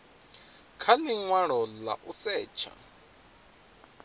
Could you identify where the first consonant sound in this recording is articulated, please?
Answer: velar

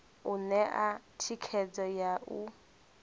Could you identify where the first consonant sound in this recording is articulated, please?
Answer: alveolar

